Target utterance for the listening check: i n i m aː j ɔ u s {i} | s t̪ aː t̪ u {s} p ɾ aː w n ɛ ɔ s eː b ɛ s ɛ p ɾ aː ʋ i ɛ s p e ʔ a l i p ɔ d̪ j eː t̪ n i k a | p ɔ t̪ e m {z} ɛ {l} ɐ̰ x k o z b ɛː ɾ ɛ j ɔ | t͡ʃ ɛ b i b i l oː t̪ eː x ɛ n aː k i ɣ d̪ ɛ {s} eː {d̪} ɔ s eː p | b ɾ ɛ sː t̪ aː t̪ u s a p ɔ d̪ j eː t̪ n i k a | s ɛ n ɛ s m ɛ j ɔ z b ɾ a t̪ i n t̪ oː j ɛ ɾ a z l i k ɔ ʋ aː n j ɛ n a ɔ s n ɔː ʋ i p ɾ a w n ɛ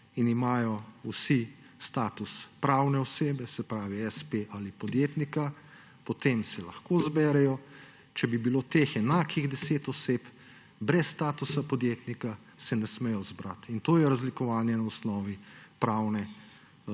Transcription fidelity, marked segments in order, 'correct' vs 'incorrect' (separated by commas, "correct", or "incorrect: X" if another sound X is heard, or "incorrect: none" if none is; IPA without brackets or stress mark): correct, correct, incorrect: s, correct, correct, incorrect: t̪